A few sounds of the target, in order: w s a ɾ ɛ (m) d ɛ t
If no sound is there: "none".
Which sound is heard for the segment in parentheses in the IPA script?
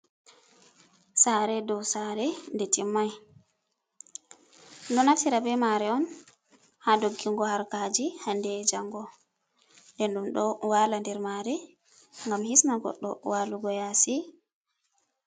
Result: n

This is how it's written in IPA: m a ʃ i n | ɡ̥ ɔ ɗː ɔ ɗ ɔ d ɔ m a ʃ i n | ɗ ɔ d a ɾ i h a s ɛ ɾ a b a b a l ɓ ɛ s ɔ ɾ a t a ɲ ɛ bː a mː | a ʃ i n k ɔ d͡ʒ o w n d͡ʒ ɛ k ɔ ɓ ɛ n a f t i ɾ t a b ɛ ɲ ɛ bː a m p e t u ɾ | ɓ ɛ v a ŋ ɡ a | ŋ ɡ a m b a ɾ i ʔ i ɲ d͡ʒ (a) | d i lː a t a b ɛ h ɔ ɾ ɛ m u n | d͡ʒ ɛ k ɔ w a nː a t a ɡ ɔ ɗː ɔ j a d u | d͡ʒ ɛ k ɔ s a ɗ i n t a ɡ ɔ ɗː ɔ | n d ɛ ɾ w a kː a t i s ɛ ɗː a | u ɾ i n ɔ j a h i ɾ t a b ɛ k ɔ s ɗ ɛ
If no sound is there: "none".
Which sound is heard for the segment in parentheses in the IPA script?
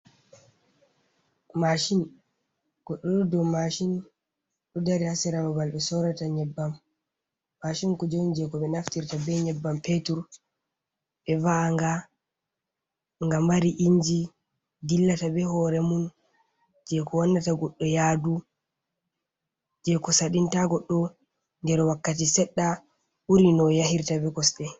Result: i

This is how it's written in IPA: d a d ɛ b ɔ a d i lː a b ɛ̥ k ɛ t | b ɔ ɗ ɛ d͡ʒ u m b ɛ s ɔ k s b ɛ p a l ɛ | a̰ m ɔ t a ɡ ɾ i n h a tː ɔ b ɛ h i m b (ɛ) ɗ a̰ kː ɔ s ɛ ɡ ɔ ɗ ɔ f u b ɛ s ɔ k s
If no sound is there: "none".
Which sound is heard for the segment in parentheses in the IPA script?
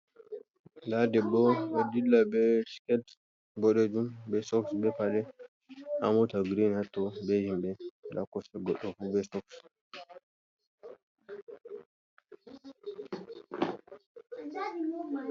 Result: ɛ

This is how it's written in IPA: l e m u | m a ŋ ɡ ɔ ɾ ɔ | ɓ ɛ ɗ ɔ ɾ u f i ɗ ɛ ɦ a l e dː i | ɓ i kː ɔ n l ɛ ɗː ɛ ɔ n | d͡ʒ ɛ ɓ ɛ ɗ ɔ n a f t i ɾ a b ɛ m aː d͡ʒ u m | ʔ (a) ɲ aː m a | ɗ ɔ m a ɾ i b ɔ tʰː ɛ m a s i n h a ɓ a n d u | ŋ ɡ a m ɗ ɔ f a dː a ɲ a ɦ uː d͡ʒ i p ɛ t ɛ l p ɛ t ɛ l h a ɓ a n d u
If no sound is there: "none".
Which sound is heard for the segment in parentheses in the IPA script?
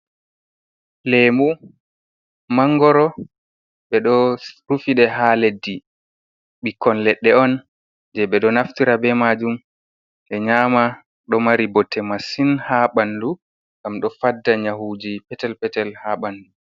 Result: ɛ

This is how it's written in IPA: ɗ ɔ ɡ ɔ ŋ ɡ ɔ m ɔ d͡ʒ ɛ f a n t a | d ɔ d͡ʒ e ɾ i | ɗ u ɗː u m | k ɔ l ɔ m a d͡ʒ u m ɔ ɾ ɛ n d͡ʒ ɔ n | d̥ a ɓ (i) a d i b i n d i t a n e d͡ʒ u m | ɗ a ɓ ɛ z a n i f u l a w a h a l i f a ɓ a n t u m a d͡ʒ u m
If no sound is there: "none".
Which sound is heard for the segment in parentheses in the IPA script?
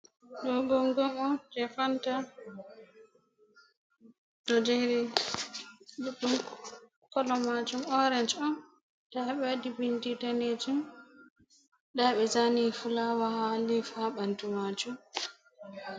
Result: ɛ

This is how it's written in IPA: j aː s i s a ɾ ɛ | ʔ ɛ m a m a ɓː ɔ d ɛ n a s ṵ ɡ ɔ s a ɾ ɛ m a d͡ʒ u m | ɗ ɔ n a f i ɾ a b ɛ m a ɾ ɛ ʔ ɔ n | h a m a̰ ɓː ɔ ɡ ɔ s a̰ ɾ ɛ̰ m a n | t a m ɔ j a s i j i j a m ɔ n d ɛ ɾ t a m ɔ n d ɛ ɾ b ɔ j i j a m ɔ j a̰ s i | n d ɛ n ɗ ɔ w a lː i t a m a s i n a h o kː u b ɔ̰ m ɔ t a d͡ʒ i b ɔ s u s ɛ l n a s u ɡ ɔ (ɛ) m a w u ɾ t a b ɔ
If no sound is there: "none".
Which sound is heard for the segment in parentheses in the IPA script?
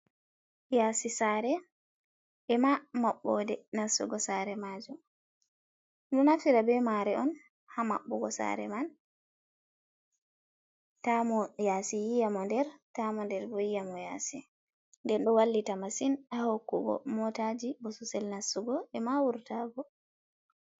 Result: ɛ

